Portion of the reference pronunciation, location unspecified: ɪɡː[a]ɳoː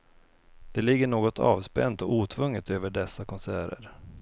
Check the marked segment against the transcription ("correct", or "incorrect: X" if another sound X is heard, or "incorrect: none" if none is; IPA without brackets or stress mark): incorrect: ə